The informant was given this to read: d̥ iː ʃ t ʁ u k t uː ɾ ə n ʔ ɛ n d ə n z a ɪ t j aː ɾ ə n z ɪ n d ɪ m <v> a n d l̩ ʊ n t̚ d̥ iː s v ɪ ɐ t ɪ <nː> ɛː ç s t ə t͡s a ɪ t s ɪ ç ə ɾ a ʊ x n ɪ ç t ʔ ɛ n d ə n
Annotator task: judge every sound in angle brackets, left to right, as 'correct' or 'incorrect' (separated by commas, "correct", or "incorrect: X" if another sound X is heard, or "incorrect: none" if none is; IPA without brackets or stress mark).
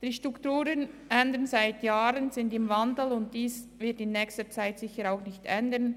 correct, correct